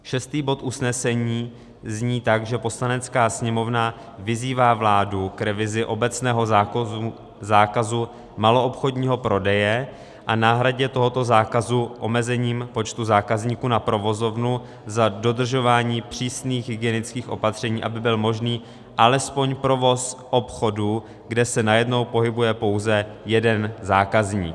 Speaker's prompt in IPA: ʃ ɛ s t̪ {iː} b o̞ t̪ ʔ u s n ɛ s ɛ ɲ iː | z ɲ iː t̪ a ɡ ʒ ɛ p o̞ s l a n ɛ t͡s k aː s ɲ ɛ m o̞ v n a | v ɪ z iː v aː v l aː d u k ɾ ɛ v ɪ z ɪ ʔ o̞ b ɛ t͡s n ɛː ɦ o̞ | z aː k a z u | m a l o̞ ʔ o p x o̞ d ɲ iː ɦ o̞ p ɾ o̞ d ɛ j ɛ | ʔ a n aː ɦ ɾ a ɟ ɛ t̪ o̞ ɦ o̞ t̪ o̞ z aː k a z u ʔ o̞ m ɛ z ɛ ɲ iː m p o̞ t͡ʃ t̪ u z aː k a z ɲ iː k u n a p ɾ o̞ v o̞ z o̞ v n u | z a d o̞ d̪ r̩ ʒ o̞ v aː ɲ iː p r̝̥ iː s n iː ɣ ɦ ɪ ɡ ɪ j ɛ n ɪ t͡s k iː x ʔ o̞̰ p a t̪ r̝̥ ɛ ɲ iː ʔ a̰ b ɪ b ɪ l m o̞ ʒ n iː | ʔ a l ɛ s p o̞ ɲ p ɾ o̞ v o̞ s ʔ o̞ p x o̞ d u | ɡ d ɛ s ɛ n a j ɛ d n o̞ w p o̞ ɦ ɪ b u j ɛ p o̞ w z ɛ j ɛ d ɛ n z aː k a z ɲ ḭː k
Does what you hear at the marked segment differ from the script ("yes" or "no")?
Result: no